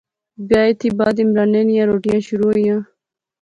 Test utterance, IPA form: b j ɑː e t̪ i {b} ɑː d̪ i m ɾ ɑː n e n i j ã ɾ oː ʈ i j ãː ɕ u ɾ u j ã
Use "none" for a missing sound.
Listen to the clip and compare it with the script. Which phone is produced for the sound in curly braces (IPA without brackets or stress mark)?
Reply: b